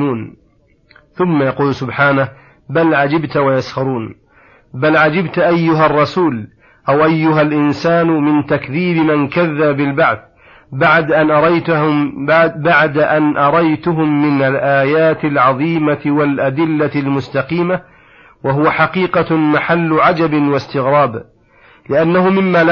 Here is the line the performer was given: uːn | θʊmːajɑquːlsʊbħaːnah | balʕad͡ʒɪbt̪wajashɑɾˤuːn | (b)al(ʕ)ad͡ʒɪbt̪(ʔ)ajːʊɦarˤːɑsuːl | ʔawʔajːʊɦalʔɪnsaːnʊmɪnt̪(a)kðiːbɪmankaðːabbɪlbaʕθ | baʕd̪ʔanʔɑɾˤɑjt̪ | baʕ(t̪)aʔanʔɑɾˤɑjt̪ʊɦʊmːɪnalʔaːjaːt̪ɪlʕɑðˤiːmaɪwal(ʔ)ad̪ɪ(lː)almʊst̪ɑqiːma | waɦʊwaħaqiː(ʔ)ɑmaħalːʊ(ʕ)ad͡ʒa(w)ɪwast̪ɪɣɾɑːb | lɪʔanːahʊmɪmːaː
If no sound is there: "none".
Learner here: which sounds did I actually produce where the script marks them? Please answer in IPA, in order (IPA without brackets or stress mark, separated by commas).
b, ʕ, ʔ, a, d̪, ʔ, lː, q, ʕ, b